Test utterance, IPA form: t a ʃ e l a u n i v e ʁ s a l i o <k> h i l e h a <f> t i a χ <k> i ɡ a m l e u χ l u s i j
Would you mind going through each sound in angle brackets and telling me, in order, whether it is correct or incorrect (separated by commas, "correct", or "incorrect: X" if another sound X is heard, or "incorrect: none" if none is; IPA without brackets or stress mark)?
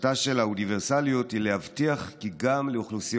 incorrect: t, incorrect: v, correct